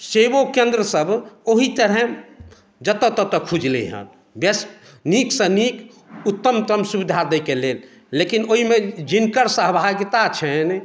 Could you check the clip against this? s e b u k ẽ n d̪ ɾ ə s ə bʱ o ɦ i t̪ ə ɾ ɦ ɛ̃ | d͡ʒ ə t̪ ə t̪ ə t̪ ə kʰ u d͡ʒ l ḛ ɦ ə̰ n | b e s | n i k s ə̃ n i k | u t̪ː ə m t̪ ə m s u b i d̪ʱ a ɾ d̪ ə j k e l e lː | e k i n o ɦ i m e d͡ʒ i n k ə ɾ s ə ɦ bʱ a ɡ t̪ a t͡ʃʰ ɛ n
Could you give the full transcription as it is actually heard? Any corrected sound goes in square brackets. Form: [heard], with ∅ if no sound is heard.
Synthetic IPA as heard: s e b [o] k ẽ n d̪ ɾ ə s ə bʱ o ɦ i t̪ ə ɾ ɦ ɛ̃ | d͡ʒ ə t̪ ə t̪ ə t̪ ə kʰ u d͡ʒ l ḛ ɦ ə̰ n | b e s | n i k s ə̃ n i k | u t̪ː ə m t̪ ə m s u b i d̪ʱ a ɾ d̪ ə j k e l e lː | e k i n o ɦ i m e d͡ʒ i n k ə ɾ s ə ɦ bʱ a ɡ t̪ a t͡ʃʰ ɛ n